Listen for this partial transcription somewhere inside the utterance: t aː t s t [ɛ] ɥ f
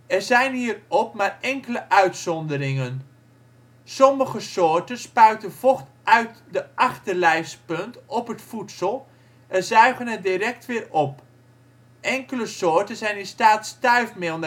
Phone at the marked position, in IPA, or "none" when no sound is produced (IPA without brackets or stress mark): œ